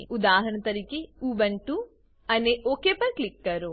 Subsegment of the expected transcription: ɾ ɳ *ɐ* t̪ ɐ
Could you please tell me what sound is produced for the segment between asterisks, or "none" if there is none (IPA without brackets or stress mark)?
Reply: ɐ